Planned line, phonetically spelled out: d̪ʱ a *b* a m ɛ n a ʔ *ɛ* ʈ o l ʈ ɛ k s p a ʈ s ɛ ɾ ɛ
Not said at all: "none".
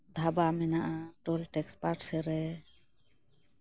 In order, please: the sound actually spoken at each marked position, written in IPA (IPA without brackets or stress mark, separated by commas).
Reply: b, a